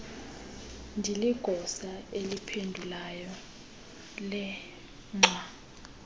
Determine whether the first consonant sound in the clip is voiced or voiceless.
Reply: voiced